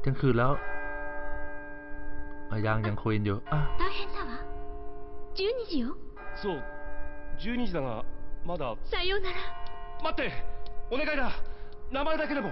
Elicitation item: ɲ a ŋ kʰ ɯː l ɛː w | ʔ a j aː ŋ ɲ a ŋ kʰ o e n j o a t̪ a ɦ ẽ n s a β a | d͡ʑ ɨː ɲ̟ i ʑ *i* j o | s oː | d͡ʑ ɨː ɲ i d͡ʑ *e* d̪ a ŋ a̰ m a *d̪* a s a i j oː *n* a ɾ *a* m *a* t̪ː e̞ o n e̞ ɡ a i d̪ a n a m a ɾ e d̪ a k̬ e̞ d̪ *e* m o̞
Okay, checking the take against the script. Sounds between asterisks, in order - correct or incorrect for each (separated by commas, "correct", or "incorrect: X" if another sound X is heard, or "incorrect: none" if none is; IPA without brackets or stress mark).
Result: correct, incorrect: i, correct, correct, correct, correct, correct